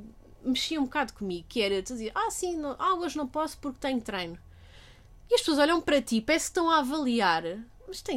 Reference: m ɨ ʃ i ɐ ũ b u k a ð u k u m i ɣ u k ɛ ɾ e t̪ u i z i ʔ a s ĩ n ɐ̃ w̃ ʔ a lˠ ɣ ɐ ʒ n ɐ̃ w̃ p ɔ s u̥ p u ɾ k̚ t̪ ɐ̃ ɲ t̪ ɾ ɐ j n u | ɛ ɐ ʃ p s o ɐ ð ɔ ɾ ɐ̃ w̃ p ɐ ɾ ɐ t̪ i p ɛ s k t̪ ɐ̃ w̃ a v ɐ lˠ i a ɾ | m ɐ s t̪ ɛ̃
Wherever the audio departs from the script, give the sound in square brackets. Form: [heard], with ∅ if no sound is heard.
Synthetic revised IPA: m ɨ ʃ i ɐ ũ b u k a ð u k u m i ɣ u k ɛ ɾ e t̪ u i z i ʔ a s ĩ n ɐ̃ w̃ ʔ a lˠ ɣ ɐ ʒ n ɐ̃ w̃ p ɔ s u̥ p u ɾ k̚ t̪ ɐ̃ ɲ t̪ ɾ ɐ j n u | [i] ɐ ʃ p s o ɐ [z] ɔ [ʎ] ɐ̃ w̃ p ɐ ɾ ɐ t̪ i p ɛ s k t̪ ɐ̃ w̃ a v ɐ lˠ i a ɾ | m ɐ [ʃ] t̪ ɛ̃